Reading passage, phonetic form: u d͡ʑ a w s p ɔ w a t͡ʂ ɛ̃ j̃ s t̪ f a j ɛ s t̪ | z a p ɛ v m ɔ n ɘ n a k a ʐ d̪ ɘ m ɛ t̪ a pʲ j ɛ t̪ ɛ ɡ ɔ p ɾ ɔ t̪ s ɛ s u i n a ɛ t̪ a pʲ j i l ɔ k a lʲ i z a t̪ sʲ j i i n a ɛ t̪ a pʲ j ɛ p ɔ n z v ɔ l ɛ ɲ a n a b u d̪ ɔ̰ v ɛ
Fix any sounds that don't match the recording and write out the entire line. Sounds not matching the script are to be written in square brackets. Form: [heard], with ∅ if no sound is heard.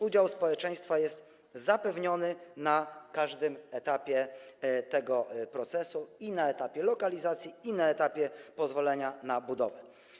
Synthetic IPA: u d͡ʑ a w s p ɔ w [ɛ] t͡ʂ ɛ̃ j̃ s t̪ f a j ɛ s t̪ | z a p ɛ v [ɲ] ɔ n ɘ n a k a ʐ d̪ ɘ m ɛ t̪ a pʲ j ɛ t̪ ɛ ɡ ɔ p ɾ ɔ t̪ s ɛ s u i n a ɛ t̪ a pʲ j [ɛ] l ɔ k a lʲ i z a t̪ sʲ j i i n a ɛ t̪ a pʲ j ɛ p ɔ [∅] z v ɔ l ɛ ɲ a n a b u d̪ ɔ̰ v ɛ